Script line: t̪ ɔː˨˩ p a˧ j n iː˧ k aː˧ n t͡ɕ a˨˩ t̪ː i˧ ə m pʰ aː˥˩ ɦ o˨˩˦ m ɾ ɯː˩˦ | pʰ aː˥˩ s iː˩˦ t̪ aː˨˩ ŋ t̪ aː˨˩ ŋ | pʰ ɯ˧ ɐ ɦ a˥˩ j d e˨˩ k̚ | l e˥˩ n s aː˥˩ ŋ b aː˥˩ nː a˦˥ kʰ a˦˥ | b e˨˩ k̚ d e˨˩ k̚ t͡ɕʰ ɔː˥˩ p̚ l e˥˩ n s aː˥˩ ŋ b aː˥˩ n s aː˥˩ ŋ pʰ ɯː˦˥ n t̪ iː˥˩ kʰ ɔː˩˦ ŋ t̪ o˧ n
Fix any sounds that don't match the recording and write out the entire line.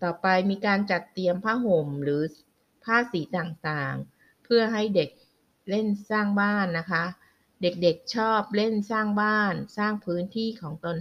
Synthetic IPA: t̪ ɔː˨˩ p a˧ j m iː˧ k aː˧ n t͡ɕ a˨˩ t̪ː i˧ ə m pʰ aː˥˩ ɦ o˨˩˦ m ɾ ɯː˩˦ | pʰ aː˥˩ s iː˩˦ t̪ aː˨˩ ŋ t̪ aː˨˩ ŋ | pʰ ɯ˥˩ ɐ ɦ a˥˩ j d e˨˩ k̚ | l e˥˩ n s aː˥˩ ŋ b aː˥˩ nː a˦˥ kʰ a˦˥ | d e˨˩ k̚ d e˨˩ k̚ t͡ɕʰ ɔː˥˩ p̚ l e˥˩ n s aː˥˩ ŋ b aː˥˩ n s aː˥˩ ŋ pʰ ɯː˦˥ n t̪ʰ iː˥˩ kʰ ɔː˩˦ ŋ t̪ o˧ n